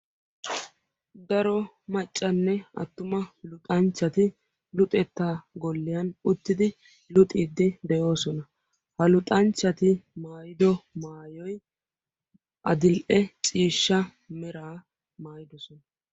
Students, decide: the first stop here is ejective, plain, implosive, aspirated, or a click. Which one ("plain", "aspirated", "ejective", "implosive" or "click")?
plain